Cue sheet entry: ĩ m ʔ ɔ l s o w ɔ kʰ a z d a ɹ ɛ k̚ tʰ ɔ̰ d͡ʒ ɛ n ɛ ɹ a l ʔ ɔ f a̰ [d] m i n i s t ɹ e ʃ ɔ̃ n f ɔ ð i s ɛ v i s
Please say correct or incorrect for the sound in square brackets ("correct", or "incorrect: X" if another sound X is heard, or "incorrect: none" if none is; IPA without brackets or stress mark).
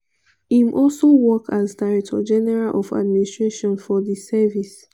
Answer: correct